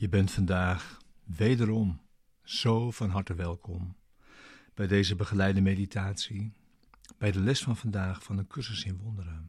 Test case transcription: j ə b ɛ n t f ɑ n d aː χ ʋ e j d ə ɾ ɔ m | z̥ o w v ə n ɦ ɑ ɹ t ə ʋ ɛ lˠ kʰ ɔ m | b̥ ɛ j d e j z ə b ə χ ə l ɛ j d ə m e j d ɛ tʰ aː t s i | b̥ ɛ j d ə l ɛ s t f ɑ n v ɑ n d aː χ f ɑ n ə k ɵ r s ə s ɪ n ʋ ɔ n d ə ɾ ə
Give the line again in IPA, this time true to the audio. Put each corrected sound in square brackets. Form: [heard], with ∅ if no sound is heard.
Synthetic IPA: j ə b ɛ n t f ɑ n d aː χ ʋ e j d ə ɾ ɔ m | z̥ o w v [ɑ] n ɦ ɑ ɹ t ə ʋ ɛ lˠ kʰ ɔ m | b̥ ɛ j d e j z ə b ə χ ə l ɛ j d ə m e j d [i] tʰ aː t s i | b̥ ɛ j d ə l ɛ s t f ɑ n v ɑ n d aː χ f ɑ n ə k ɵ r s ə s ɪ n ʋ ɔ n d ə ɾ ə